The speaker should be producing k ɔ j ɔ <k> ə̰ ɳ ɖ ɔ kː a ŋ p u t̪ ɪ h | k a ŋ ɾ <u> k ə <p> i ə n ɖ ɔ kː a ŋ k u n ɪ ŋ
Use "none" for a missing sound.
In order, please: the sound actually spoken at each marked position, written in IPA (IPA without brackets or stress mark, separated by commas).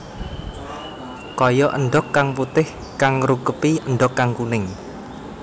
ʔ, u, p